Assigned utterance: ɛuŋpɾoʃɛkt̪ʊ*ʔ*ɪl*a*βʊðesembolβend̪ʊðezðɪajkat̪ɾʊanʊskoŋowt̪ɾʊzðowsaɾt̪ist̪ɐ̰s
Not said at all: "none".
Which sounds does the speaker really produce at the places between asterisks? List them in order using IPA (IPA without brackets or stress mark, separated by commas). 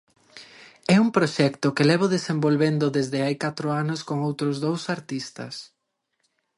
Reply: k, ɛ